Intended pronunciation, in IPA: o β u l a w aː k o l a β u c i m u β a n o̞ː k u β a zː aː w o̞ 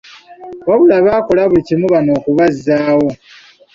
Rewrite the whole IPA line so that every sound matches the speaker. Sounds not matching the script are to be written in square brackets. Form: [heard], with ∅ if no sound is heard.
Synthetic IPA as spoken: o β u l a [β] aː k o l a β u c i m u β a n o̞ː k u β a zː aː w o̞